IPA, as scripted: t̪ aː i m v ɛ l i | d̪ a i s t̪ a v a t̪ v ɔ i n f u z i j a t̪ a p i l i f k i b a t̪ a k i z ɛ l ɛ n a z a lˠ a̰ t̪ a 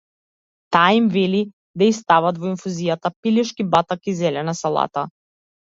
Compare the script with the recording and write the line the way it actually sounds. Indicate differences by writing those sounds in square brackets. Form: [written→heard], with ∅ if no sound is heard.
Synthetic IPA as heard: t̪ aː i m v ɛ l i | d̪ a i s t̪ a v a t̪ v ɔ i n f u z i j a t̪ a p i l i [f→ʃ] k i b a t̪ a k i z ɛ l ɛ n a [z→s] a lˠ a̰ t̪ a